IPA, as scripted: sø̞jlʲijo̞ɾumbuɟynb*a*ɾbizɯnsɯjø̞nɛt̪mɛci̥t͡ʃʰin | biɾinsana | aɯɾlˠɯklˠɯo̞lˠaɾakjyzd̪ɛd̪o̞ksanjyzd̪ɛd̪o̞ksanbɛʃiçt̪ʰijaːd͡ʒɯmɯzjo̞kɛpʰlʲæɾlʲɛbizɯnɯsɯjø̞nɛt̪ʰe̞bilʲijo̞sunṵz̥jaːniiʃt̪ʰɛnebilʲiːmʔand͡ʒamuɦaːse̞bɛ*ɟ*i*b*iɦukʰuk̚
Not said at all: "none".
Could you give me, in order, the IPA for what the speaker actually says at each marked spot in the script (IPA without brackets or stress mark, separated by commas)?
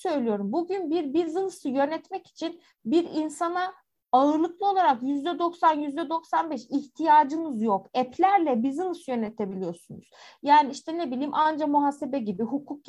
i, ɟ, b